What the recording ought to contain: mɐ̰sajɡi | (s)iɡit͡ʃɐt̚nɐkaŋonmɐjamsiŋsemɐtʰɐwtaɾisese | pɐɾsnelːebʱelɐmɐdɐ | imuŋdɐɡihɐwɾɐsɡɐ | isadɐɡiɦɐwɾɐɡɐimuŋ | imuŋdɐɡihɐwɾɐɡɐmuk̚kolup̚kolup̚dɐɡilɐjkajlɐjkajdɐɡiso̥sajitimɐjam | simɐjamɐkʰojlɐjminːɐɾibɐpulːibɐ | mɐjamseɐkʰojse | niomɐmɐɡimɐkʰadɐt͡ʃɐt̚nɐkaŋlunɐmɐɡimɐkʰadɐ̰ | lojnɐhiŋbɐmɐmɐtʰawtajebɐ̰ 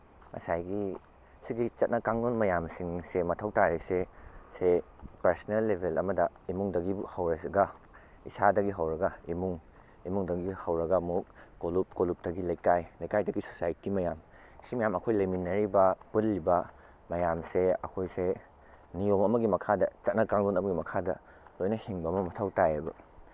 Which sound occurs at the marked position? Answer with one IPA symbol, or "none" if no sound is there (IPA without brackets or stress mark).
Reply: s